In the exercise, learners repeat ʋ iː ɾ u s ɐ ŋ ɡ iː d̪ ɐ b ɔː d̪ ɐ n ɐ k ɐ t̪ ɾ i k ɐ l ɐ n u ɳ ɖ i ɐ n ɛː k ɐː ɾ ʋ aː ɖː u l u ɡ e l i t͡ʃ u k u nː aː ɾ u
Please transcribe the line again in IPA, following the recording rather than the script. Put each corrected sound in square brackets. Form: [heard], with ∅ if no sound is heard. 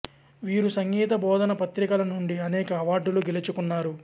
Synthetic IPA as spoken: ʋ iː ɾ u s ɐ ŋ ɡ iː [t̪] ɐ b ɔː d̪ ɐ n ɐ [p] ɐ t̪ ɾ i k ɐ l ɐ n u ɳ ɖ i ɐ n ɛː k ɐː [∅] ʋ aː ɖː u l u ɡ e l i t͡ʃ u k u nː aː ɾ u